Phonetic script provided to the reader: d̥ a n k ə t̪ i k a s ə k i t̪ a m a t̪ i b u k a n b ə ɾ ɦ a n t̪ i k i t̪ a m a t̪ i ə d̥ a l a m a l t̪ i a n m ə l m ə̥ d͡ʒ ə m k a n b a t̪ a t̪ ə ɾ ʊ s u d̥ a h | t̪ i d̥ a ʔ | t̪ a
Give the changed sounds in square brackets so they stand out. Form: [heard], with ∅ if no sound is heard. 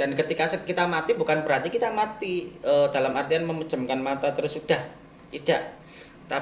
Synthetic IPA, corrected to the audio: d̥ a n k ə t̪ i k a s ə k i t̪ a m a t̪ i b u k a n b ə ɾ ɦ a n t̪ i k i t̪ a m a t̪ i ə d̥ a l a m a [r] t̪ i a n m ə [∅] m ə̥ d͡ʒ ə m k a n [m] a t̪ a t̪ ə ɾ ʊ s u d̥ a h | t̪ i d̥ a ʔ | t̪ a